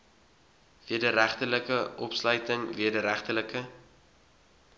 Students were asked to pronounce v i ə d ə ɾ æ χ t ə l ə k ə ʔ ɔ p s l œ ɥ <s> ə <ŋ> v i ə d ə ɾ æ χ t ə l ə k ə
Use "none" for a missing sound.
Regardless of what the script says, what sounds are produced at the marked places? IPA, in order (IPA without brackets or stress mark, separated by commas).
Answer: t, ŋ